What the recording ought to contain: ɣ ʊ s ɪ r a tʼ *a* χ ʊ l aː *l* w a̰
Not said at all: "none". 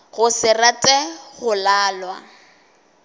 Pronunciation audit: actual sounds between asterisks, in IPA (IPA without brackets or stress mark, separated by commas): ɛ, l